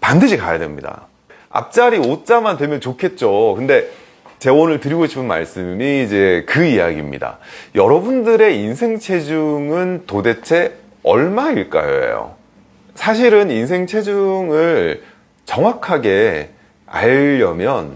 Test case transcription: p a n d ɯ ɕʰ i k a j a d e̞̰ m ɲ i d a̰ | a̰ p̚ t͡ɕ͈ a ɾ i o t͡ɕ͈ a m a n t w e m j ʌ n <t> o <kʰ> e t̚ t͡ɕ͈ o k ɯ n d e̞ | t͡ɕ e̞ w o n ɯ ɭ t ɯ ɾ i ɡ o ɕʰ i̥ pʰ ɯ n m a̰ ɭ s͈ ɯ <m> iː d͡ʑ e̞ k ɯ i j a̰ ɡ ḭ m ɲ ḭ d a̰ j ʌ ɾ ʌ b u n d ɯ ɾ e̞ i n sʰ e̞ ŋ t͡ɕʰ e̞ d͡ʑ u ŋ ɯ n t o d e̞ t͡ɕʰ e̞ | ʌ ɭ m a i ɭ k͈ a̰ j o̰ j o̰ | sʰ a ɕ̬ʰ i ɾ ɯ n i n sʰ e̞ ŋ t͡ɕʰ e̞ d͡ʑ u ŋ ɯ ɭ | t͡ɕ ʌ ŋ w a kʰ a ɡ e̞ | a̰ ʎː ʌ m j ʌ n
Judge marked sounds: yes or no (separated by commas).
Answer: no, yes, yes